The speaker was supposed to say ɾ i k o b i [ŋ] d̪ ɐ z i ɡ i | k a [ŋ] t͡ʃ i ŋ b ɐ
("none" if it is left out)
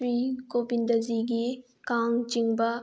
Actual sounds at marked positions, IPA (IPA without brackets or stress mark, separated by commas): n, ŋ